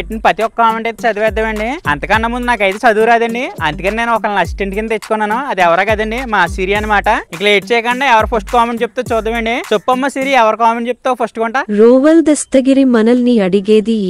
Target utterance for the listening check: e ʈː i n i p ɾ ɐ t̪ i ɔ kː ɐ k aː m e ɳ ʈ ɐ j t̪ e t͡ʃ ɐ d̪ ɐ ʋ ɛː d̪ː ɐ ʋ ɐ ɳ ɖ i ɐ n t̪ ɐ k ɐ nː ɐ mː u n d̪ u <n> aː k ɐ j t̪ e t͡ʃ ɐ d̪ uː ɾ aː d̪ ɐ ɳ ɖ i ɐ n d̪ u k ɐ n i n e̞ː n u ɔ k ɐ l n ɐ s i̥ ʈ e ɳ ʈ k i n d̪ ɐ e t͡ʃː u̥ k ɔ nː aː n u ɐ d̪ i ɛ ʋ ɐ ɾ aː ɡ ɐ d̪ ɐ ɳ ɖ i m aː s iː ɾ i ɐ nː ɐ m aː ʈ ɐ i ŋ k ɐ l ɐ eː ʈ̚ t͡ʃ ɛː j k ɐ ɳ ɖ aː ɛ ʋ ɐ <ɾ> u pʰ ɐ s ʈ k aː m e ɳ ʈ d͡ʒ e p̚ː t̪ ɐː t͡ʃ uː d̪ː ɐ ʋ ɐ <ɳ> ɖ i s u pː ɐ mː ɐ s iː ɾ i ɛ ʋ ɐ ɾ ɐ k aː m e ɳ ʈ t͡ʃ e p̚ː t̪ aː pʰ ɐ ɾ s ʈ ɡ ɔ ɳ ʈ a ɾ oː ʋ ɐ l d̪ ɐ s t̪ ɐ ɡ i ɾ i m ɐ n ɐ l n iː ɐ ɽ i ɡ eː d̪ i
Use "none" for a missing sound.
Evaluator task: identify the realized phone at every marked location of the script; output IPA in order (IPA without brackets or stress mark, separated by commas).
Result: n, ɾ, ɳ